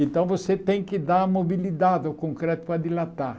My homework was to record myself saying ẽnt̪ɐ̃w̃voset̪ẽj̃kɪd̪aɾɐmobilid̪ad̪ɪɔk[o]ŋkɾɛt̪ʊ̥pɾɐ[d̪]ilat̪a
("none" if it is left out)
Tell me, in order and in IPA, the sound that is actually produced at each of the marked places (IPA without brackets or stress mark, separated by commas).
õ, d̪